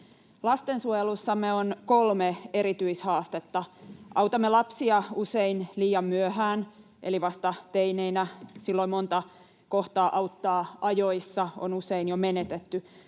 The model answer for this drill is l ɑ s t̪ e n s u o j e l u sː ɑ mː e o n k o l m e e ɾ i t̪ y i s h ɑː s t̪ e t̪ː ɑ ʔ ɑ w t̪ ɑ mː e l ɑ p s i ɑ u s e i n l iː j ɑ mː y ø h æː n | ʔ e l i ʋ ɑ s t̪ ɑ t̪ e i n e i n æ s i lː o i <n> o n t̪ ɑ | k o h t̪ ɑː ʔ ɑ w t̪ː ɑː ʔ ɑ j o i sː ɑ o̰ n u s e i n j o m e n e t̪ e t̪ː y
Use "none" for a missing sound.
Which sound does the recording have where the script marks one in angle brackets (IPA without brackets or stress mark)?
m